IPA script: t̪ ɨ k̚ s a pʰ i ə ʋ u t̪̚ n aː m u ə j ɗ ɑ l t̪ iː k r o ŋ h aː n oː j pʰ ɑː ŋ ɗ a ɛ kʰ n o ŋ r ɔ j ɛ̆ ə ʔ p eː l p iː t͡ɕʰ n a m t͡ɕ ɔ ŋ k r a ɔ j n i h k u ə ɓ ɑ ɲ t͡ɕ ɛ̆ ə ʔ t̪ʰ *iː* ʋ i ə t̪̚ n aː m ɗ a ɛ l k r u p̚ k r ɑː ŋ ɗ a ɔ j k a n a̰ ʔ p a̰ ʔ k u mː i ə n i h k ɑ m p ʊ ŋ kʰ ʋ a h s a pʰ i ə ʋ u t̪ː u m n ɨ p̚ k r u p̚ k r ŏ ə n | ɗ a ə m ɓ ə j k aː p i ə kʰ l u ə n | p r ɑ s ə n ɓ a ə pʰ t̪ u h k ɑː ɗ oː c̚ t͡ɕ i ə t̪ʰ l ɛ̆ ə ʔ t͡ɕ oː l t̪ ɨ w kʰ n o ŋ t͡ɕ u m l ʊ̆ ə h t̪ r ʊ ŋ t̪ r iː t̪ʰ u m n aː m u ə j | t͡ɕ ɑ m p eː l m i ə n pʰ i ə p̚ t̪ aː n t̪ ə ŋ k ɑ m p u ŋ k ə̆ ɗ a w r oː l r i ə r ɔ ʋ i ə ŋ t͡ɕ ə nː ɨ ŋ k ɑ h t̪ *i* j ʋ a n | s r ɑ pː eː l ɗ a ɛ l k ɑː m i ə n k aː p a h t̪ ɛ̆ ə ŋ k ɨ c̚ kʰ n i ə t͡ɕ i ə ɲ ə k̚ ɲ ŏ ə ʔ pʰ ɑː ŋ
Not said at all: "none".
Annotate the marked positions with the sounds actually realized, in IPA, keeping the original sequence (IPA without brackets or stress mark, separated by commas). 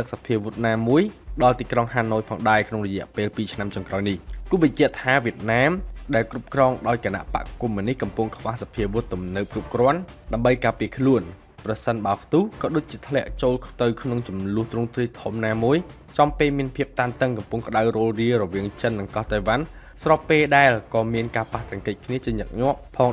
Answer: aː, a